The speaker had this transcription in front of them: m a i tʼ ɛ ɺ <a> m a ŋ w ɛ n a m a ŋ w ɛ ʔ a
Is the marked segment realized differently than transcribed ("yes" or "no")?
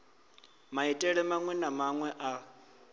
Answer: yes